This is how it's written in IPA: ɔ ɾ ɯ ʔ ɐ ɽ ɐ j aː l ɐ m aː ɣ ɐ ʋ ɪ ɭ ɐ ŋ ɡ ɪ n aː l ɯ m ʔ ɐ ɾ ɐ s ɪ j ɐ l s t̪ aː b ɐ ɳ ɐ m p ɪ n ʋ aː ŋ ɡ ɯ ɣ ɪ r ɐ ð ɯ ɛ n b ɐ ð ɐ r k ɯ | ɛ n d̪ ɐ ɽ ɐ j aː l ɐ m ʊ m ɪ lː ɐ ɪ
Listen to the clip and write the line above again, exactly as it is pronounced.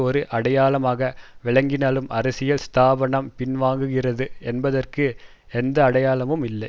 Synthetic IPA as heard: ɔ ɾ ɯ ʔ ɐ ɽ ɐ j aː l ɐ m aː ɣ ɐ ʋ ɪ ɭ ɐ ŋ ɡ ɪ n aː l ɯ m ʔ ɐ ɾ ɐ s ɪ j ɐ l s t̪ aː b ɐ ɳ ɐ m p ɪ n ʋ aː ŋ ɡ ɯ ɣ ɪ r ɐ ð ɯ ɛ n b ɐ ð ɐ r k ɯ | ɛ n d̪ ɐː ɽ ɐ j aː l ɐ m ɯ m ɪ lː ɐ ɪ